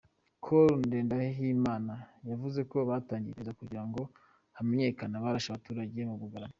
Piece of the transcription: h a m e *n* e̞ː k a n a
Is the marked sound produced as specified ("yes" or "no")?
no